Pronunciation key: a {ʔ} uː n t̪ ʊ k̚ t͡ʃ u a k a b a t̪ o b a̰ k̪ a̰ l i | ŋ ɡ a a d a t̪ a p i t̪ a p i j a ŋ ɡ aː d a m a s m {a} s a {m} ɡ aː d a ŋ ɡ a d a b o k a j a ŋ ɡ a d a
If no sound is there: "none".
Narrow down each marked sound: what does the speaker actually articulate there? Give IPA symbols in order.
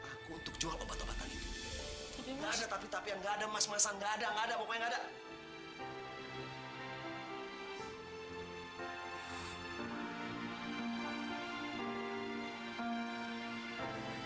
k, a, ŋ

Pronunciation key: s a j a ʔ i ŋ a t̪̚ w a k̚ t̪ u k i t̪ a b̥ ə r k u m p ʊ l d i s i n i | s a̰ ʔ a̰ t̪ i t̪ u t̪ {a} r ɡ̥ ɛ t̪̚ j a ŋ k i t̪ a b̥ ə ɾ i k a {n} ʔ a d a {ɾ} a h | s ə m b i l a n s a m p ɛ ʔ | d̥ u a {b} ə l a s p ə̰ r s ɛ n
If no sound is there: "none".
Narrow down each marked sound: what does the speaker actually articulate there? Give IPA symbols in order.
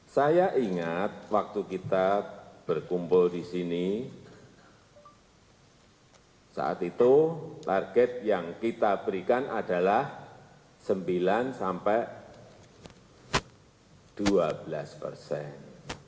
a, n, l, b

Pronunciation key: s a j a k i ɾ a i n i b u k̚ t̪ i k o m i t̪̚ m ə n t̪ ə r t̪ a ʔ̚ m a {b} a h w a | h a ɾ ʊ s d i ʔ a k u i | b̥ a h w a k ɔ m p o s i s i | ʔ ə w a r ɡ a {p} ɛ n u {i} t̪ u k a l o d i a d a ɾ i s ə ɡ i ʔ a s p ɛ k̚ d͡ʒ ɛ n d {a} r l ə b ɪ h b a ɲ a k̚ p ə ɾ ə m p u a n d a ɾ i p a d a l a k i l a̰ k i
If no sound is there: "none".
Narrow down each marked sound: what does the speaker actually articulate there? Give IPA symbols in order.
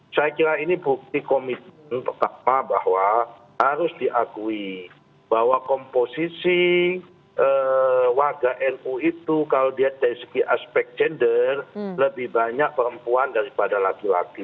b, ʔ, i, ə

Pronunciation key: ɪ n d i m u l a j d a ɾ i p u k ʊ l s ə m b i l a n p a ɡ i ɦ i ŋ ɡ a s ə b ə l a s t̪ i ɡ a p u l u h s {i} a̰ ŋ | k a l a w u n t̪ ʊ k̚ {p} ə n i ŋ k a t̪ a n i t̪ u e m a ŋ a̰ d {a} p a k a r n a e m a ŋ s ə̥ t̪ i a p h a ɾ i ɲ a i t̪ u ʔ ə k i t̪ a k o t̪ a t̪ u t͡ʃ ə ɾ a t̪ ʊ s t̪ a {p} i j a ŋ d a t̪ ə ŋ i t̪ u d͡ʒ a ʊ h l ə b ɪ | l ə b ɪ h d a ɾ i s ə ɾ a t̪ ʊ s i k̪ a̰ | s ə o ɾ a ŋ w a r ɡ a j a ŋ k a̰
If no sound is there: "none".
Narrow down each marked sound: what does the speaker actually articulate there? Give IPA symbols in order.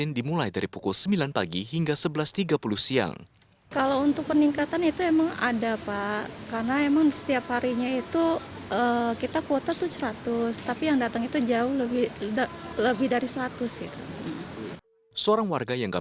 i, p, a, p

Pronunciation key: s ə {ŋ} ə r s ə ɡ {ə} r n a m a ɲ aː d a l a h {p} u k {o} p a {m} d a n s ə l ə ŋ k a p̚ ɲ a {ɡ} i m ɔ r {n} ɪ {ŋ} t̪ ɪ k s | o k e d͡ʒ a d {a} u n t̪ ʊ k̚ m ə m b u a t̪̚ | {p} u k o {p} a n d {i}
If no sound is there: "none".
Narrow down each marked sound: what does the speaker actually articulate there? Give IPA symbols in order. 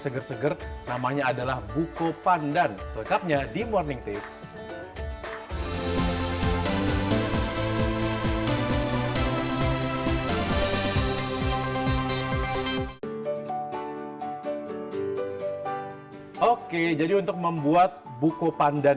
ɡ, ə, b, o, n, d, n, ŋ, i, b, p, a

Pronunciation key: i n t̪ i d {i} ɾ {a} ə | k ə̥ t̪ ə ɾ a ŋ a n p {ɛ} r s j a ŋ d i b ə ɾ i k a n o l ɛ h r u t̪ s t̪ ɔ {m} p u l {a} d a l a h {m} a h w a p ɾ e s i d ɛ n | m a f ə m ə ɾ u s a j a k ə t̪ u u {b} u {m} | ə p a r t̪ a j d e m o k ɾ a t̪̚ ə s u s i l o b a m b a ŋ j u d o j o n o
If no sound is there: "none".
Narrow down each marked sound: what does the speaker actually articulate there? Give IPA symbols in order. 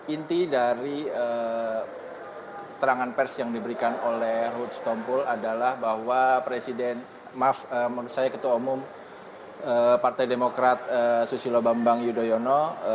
a, i, ɛ, m, a, b, m, m

